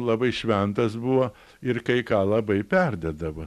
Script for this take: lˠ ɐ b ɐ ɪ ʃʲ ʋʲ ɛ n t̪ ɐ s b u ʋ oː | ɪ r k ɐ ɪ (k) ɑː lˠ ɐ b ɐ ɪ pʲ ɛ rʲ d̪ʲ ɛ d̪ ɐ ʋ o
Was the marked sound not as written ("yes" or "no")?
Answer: no